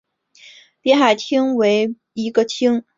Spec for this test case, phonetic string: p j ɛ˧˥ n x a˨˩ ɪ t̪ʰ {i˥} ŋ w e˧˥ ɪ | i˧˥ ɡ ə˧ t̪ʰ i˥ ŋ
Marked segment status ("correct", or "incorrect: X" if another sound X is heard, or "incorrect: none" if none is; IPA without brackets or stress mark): correct